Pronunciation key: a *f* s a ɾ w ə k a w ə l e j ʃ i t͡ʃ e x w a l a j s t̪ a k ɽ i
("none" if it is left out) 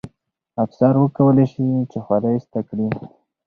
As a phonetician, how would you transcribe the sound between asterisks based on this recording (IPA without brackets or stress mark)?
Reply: f